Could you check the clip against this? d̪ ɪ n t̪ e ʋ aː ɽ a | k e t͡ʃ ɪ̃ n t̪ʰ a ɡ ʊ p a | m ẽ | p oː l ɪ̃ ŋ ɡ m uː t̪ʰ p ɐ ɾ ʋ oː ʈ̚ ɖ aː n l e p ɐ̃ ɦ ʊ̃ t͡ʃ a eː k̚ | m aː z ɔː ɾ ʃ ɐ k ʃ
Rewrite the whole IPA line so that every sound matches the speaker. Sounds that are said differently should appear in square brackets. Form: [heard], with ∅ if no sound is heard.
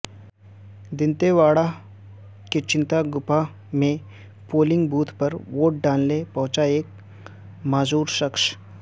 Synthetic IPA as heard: d̪ ɪ n t̪ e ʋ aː ɽ a | k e t͡ʃ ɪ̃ n [t̪] a ɡ ʊ p a | m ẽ | p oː l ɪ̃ ŋ ɡ [b] uː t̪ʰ p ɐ ɾ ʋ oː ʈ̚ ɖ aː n l e p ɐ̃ ɦ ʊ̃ t͡ʃ a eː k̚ | m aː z [uː] ɾ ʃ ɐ k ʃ